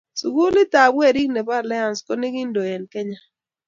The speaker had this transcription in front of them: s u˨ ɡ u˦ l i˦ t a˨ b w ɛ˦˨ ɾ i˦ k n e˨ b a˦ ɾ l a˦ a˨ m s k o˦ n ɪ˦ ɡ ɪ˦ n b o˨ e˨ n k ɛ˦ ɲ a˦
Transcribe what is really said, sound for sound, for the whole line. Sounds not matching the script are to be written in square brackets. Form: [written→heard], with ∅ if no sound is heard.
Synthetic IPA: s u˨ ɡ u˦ l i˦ t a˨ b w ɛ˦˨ ɾ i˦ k n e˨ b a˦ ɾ l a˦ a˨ [m→n] s k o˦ n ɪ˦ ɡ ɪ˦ n [b→d] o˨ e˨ n k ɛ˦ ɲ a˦

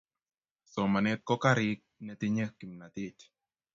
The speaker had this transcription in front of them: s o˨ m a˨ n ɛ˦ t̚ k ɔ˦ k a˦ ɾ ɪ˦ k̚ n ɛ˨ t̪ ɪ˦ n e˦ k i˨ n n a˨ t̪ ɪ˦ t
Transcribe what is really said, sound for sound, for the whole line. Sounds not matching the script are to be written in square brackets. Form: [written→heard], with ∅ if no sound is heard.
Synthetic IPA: s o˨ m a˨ n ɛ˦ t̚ k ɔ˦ k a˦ ɾ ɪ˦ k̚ n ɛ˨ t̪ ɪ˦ [n→ɲ] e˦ k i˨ [n→m] n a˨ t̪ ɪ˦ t

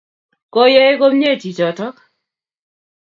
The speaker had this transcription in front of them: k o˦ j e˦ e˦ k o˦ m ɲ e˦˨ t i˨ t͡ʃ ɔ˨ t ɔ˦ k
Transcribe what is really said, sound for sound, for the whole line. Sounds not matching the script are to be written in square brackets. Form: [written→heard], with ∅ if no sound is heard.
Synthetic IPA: k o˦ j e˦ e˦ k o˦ m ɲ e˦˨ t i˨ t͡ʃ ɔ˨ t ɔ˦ k

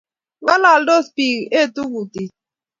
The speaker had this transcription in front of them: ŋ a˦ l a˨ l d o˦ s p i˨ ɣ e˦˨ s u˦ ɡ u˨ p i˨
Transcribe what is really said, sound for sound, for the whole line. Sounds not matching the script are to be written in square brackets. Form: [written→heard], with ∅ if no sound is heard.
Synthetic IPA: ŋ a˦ l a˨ l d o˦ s p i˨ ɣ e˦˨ [s→t] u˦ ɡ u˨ [p→t] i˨

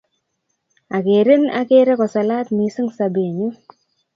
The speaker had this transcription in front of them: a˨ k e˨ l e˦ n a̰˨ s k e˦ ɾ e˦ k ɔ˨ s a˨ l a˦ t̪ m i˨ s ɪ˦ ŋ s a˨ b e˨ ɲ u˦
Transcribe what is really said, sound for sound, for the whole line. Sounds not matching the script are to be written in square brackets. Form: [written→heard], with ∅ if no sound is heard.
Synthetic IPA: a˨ k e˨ [l→ɾ] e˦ n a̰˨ [s→∅] k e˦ ɾ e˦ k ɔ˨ s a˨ l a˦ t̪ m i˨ s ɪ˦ ŋ s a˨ b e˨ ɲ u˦

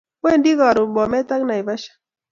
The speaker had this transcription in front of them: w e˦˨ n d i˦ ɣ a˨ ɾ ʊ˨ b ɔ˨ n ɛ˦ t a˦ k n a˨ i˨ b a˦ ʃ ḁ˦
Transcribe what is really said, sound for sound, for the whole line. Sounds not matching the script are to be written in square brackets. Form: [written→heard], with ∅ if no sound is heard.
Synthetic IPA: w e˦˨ n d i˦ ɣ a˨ ɾ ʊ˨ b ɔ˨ [n→m] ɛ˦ t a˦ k n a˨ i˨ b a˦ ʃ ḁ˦

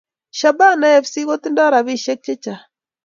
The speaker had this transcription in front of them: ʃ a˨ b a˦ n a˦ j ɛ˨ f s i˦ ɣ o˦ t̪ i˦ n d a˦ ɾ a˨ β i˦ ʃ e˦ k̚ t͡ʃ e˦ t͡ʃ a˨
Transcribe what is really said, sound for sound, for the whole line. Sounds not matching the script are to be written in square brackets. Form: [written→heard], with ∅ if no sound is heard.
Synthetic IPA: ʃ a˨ b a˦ n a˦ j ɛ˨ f s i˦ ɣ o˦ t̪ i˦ n d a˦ ɾ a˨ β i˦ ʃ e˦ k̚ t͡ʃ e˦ t͡ʃ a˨

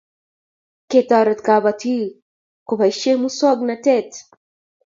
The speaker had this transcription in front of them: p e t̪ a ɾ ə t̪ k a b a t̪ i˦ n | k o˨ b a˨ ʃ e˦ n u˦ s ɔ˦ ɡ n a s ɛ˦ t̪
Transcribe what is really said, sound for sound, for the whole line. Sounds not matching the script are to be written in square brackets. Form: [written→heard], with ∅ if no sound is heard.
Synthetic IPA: [p→k] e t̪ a ɾ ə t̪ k a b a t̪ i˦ [n→∅] | k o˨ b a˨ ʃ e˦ [n→m] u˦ s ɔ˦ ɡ n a [s→t] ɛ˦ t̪

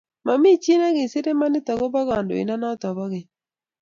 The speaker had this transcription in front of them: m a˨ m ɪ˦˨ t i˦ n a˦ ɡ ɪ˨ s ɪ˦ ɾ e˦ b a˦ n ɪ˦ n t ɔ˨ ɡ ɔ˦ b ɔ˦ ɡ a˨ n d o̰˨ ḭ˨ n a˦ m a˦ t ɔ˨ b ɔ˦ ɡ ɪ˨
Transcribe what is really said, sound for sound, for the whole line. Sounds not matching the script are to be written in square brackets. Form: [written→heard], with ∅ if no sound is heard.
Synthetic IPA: m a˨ m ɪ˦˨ [t→t͡ʃ] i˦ n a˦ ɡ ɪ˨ s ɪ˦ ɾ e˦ [b→m] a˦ n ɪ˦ [n→∅] t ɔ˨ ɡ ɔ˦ b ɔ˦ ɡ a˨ n d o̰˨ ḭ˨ n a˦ [m→n] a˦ t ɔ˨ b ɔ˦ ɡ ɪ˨

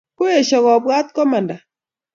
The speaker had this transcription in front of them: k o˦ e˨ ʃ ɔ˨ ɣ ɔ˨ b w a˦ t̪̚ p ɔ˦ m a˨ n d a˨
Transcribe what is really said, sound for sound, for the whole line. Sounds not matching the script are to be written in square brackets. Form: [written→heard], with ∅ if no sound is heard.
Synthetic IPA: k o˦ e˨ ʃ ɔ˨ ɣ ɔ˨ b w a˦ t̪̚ [p→k] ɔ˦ m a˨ n d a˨

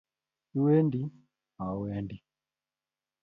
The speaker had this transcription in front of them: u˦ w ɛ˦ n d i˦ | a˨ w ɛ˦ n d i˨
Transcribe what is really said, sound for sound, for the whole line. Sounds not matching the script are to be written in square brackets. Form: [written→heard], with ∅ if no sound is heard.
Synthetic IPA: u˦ w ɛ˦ n d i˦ | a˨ w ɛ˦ n d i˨

